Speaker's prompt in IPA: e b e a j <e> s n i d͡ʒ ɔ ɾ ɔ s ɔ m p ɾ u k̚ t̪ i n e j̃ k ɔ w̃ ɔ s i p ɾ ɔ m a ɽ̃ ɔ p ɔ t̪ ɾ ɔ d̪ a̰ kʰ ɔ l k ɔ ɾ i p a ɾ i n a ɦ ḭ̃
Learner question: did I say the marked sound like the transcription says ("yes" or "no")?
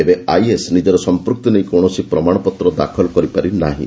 yes